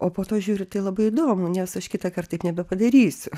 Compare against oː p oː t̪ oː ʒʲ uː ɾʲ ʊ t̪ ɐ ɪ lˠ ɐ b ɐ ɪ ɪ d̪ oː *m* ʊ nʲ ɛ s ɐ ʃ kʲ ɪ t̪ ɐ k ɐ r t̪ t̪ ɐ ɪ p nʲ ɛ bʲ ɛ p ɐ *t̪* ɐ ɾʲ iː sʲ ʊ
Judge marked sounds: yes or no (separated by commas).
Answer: yes, no